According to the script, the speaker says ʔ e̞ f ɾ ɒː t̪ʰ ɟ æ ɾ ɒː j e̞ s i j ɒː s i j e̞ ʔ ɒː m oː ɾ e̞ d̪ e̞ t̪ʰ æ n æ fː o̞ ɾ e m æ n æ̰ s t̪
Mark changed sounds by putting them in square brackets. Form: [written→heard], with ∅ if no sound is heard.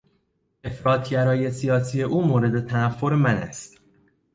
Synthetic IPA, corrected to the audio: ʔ e̞ f ɾ ɒː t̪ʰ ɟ æ ɾ ɒː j e̞ s i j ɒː s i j e̞ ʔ [ɒː→uː] m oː ɾ e̞ d̪ e̞ t̪ʰ æ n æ fː o̞ ɾ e m æ n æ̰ s t̪